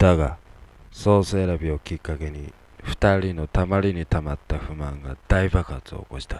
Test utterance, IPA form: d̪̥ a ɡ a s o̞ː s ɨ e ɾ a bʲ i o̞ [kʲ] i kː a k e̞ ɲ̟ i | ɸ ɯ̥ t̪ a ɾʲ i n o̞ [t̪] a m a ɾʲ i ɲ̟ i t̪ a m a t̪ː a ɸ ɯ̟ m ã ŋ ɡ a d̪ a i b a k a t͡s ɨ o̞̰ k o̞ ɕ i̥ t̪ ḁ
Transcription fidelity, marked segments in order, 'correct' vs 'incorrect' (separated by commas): correct, correct